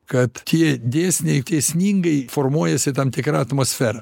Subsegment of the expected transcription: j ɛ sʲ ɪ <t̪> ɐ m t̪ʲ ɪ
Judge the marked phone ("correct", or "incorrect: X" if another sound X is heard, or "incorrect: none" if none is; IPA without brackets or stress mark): correct